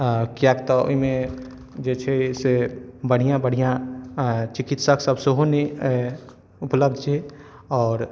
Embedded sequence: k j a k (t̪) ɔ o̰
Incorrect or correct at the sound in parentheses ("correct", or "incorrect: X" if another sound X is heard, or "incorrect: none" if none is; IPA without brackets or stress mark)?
correct